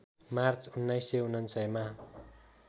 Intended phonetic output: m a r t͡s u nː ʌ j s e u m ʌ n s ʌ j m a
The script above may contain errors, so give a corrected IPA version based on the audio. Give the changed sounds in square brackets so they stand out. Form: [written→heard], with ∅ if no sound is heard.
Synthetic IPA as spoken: m a r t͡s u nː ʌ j s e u [m→n] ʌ n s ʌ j m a